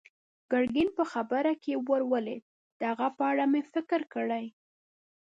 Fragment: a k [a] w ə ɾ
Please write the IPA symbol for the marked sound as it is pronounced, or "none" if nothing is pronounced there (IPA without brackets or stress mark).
e